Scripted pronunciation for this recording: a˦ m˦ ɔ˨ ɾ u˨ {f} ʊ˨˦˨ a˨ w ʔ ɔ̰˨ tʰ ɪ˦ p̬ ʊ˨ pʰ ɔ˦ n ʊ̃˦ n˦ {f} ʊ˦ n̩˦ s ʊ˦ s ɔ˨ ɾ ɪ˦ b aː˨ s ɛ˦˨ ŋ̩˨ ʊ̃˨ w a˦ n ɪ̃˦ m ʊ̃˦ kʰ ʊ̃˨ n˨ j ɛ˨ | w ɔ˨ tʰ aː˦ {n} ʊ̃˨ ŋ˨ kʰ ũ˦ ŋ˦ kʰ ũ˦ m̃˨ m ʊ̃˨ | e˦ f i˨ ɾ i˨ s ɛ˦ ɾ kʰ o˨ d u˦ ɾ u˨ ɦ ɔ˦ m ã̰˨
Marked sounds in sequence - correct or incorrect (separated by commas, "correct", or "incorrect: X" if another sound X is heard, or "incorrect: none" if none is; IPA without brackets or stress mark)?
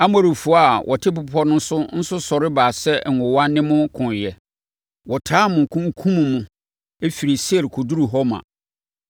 correct, incorrect: s, incorrect: m